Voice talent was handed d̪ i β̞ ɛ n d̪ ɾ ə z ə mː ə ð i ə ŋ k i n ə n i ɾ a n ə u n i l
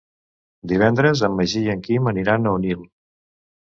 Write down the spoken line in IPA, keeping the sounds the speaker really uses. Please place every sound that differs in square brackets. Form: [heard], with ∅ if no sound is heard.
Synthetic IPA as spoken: d̪ i β̞ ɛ n d̪ ɾ ə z ə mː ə [ʒ] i ə ŋ k i [m] ə n i ɾ a n ə u n i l